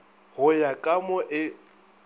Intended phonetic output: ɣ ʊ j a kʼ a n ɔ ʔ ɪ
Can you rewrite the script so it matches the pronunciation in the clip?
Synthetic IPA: ɣ ʊ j a kʼ a m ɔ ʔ ɪ